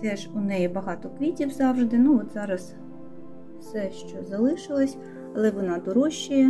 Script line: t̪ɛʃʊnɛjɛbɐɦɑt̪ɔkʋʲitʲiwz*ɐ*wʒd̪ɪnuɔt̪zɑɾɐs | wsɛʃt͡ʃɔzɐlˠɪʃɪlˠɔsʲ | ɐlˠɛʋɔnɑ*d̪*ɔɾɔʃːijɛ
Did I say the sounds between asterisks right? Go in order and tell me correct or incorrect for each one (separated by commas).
incorrect, correct